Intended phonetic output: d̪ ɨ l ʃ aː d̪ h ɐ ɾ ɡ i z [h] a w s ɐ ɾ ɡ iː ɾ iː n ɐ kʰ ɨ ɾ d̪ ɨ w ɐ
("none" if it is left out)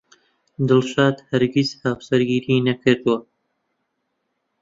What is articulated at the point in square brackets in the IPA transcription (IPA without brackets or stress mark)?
h